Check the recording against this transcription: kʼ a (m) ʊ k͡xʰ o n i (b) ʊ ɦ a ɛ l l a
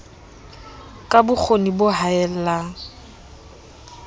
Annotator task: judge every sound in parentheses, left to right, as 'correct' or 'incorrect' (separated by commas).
incorrect, correct